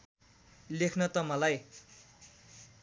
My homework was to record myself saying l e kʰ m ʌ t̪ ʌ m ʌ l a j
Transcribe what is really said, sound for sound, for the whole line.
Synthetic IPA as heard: l e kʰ n ʌ t̪ ʌ m ʌ l a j

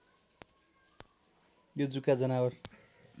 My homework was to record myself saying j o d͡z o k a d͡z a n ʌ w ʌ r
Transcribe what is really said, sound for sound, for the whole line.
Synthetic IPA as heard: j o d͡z u k a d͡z ʌ n a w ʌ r

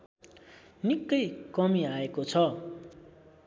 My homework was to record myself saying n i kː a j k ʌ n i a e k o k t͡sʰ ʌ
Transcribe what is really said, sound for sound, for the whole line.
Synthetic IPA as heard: n i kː ʌ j k ʌ m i a e k o t͡sʰ ʌ

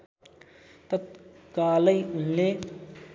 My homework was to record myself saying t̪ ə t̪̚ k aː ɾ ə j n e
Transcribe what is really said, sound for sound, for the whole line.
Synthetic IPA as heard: t̪ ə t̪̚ k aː l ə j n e

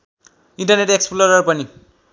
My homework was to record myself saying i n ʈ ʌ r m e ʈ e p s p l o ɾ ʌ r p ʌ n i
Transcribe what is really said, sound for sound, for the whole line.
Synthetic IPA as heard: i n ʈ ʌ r n e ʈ e k s p l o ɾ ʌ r p ʌ n i

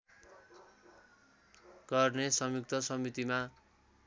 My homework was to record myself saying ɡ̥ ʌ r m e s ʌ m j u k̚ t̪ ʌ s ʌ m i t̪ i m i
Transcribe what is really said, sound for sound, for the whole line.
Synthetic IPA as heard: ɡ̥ ʌ r n e s ʌ m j u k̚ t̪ ʌ s ʌ m i t̪ i m a

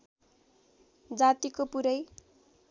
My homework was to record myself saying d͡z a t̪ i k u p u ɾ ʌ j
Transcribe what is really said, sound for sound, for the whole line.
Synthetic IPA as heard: d͡z a t̪ i k o p u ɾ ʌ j

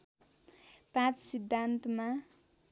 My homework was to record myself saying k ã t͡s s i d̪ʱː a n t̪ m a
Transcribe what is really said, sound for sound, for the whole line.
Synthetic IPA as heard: p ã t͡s s i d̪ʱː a n t̪ m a

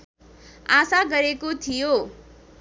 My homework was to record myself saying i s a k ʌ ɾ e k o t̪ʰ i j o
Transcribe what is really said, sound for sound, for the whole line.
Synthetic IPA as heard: a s a ɡ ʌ ɾ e k o t̪ʰ i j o

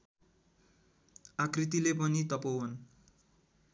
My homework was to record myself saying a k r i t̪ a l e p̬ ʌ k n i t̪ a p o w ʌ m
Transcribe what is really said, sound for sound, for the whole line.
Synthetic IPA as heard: a k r i t̪ i l e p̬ ʌ n i t̪ ʌ p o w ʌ n

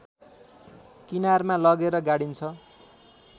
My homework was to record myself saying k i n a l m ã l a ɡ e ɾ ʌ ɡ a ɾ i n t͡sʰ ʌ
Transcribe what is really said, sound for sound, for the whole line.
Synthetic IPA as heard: k i n a r m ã l ʌ ɡ e ɾ ʌ ɡ a ɽ i n t͡sʰ ʌ

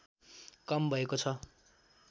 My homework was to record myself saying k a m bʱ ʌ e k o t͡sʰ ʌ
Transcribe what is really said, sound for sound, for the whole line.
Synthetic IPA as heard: k ʌ m bʱ ʌ e k o t͡sʰ ʌ

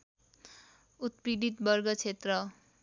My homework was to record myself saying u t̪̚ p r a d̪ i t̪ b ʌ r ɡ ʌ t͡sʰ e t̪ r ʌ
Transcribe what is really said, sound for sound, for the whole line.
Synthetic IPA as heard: u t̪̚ p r i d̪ i t̪ b ʌ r ɡ ʌ t͡sʰ e t̪ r ʌ

